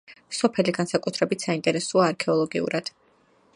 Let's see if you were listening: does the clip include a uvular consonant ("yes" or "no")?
no